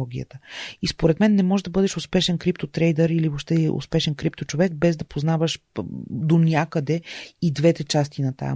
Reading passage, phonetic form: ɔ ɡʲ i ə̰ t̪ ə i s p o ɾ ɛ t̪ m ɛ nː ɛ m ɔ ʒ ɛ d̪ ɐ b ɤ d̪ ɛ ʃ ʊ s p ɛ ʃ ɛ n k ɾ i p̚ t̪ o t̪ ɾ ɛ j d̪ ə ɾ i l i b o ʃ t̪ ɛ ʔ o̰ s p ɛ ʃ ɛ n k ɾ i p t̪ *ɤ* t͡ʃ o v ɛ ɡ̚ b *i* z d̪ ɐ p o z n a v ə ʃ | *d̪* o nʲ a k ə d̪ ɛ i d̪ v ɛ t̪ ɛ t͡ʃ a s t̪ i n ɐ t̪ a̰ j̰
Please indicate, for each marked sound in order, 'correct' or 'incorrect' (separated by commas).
incorrect, incorrect, correct